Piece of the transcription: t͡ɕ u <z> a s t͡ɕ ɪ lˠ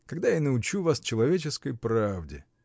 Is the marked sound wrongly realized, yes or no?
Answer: yes